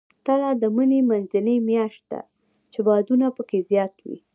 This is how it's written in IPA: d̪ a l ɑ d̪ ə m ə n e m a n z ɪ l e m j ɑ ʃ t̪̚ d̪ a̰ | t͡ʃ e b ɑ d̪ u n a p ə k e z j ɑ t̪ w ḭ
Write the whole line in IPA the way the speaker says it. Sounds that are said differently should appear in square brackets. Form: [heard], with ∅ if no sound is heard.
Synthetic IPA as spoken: [t̪] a l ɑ d̪ ə m ə n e m a n z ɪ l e m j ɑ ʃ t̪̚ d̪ a̰ | t͡ʃ e b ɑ d̪ u n a p ə k e z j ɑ t̪ w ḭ